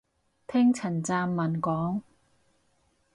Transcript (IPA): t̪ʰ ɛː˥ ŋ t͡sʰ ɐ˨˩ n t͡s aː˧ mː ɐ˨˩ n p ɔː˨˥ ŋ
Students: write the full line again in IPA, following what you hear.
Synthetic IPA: t̪ʰ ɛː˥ ŋ t͡sʰ ɐ˨˩ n t͡s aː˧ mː ɐ˨˩ n k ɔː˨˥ ŋ